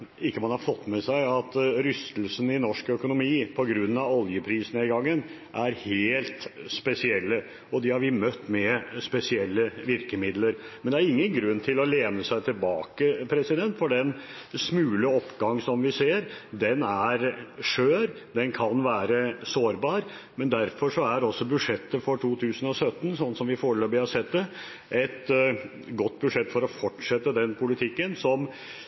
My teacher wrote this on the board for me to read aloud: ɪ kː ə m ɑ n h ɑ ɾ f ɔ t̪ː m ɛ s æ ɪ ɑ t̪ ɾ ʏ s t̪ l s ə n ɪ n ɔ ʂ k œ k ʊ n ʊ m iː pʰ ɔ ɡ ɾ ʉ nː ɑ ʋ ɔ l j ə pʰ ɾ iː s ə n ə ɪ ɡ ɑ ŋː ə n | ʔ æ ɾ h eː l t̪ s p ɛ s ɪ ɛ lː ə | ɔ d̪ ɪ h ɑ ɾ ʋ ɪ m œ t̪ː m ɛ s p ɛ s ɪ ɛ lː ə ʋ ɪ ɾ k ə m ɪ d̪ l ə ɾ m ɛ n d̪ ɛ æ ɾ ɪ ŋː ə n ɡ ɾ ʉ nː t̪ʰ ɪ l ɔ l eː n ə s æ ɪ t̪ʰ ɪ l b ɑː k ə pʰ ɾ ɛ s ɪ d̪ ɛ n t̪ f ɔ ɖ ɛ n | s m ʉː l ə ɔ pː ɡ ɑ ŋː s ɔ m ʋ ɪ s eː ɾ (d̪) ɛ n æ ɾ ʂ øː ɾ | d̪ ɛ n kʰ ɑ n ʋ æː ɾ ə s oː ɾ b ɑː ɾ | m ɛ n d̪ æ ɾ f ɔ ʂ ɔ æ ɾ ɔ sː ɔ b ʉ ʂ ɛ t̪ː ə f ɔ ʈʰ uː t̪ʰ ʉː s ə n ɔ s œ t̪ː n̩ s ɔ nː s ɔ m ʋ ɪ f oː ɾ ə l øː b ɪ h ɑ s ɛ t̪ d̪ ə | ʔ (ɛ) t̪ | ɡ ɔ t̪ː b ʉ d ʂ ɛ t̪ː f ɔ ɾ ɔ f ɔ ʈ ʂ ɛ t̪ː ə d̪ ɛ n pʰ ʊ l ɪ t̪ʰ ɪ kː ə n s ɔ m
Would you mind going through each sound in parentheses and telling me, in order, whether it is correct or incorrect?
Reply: correct, correct

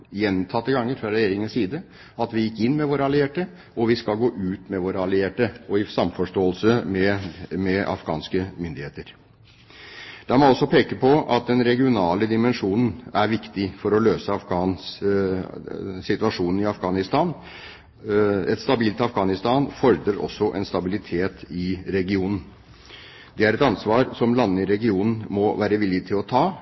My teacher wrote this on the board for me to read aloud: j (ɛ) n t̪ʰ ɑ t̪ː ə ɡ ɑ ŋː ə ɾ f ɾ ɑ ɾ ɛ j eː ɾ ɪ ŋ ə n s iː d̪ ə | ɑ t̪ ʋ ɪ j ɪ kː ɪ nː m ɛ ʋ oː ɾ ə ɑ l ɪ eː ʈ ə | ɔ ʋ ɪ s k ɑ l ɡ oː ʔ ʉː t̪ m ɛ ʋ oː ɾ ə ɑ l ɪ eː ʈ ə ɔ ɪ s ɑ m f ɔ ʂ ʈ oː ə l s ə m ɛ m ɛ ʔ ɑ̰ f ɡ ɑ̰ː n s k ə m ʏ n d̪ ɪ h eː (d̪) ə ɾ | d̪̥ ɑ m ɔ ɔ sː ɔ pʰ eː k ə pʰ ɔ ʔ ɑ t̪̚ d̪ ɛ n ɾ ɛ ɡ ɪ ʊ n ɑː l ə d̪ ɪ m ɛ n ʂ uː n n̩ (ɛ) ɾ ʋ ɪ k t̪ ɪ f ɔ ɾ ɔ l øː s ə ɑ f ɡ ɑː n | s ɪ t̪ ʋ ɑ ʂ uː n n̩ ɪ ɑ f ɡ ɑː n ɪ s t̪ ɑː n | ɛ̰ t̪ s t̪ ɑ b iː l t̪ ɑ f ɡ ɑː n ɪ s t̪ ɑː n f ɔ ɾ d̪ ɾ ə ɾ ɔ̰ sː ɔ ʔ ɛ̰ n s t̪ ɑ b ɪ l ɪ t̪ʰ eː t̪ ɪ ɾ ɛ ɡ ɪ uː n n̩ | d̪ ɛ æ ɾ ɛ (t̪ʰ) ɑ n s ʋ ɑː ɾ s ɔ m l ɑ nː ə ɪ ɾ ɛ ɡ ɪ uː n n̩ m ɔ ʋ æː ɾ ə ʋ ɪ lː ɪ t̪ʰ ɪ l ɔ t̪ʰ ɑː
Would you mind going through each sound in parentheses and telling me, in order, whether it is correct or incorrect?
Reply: correct, incorrect: t̪, incorrect: æ, incorrect: t̪

